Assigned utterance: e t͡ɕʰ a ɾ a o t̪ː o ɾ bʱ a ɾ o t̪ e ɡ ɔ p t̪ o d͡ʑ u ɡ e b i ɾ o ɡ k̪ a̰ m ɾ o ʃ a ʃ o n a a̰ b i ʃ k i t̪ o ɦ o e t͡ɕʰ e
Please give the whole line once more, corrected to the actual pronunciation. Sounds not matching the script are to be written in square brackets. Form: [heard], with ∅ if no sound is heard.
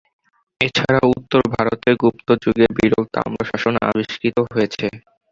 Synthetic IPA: e t͡ɕʰ a ɾ a [u] t̪ː o ɾ bʱ a ɾ o t̪ e ɡ [u] p t̪ o d͡ʑ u ɡ e b i ɾ o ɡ [t̪] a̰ m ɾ o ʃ a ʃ o n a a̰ b i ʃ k i t̪ o ɦ o e t͡ɕʰ e